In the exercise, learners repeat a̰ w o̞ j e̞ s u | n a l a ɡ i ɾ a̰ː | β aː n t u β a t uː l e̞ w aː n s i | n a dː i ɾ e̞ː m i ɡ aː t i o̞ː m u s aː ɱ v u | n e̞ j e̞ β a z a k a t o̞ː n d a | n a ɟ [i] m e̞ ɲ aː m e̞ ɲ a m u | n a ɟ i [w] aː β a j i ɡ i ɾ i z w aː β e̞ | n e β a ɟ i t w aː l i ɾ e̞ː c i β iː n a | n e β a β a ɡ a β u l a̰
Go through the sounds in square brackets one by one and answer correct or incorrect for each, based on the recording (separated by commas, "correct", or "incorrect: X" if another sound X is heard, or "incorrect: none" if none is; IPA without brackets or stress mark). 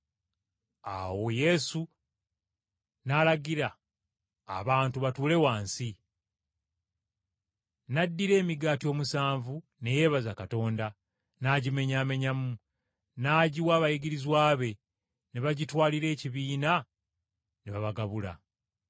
correct, correct